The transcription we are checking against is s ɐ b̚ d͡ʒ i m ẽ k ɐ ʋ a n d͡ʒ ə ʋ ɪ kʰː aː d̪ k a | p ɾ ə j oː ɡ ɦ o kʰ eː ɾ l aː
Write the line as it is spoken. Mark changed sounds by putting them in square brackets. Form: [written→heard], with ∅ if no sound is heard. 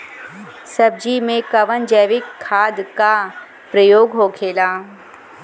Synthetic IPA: s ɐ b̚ d͡ʒ i m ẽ k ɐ ʋ [a→ə] n d͡ʒ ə ʋ ɪ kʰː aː d̪ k a | p ɾ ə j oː ɡ ɦ o kʰ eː [ɾ→∅] l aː